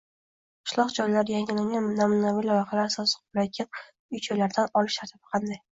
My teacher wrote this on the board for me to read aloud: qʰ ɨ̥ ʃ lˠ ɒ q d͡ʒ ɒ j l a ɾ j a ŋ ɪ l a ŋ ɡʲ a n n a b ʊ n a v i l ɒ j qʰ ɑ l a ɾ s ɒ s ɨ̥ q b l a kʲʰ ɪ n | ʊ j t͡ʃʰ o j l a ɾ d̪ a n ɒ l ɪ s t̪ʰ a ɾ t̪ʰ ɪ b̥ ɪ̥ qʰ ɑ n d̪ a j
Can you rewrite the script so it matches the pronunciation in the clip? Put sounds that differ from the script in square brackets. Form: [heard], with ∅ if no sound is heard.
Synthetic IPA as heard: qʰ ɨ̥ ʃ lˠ ɒ q d͡ʒ ɒ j l a ɾ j a ŋ ɪ l a ŋ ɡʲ a n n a [m] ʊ n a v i l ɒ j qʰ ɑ l a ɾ s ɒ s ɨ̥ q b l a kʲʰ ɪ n | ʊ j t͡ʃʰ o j l a ɾ d̪ a n ɒ l ɪ [ʃ] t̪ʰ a ɾ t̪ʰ ɪ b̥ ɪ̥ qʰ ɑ n d̪ a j